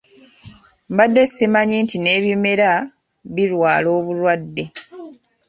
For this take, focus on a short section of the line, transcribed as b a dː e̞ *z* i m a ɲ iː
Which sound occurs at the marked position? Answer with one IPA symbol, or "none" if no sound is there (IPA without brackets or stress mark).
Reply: s